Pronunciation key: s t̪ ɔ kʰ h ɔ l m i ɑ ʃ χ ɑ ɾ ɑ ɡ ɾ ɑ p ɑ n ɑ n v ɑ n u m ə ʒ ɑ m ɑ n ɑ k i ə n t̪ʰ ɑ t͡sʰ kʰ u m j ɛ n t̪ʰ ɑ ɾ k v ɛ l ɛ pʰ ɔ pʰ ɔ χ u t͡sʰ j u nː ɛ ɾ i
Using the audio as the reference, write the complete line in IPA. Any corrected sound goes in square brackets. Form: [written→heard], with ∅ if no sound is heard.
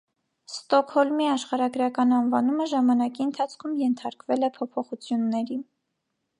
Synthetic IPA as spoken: s t̪ ɔ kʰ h ɔ l m i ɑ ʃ χ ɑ ɾ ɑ ɡ ɾ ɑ [p→k] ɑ n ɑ n v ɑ n u m ə ʒ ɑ m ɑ n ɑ k i ə n t̪ʰ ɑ t͡sʰ kʰ u m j ɛ n t̪ʰ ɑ ɾ k v ɛ l ɛ pʰ ɔ pʰ ɔ χ u t͡sʰ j u nː ɛ ɾ i